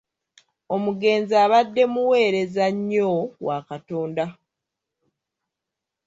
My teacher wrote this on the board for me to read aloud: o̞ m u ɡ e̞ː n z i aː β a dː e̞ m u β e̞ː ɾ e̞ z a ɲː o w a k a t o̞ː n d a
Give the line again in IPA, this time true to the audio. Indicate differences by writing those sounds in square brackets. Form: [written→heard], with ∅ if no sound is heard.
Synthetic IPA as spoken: o̞ m u ɡ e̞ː n z i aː β a dː e̞ m u [β→w] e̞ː ɾ e̞ z a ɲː o w a k a t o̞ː n d a